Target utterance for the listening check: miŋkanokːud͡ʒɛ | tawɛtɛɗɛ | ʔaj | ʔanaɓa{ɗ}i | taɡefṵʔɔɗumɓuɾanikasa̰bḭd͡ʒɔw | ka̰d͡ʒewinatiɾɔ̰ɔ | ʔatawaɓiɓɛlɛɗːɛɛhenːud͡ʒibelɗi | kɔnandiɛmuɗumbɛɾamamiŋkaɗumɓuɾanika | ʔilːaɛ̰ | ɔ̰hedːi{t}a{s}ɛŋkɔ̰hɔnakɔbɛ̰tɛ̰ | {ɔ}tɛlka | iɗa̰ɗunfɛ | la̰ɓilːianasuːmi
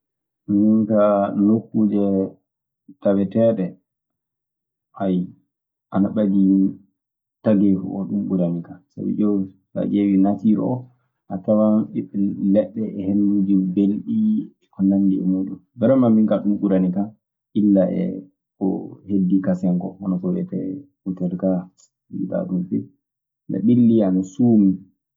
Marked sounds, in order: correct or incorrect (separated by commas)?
incorrect, incorrect, correct, incorrect